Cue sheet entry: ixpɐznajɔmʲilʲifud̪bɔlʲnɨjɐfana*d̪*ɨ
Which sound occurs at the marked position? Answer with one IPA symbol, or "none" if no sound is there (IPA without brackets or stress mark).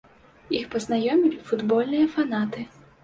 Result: t̪